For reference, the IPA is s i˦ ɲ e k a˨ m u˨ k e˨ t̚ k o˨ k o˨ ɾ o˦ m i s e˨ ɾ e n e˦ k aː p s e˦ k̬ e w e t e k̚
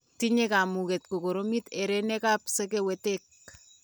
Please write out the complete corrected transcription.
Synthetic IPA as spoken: t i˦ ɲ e k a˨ m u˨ k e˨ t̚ k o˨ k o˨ ɾ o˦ m i t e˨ ɾ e n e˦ k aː p s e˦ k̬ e w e t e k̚